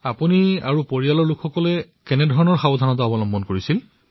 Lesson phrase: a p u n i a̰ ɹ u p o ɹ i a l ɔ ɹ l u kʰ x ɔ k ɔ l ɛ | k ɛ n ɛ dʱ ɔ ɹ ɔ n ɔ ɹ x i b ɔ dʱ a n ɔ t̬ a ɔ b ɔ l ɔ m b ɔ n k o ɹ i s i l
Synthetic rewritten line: a p u n i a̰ ɹ u p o ɹ i a l ɔ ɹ l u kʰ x ɔ k ɔ l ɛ | k ɛ n ɛ dʱ ɔ ɹ ɔ n ɔ ɹ x a b ɔ dʱ a n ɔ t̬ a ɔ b ɔ l ɔ m b ɔ n k o ɹ i s i l